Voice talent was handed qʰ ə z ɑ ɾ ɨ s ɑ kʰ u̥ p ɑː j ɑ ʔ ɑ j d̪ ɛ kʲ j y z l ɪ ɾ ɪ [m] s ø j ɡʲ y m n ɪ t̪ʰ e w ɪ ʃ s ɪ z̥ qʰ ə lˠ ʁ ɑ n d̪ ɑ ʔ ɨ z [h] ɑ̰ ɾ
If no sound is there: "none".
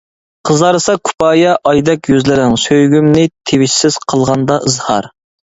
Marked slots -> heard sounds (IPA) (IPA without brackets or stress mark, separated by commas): ŋ, h